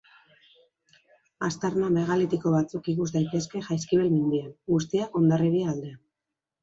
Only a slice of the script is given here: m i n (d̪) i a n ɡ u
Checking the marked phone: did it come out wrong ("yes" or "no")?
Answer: no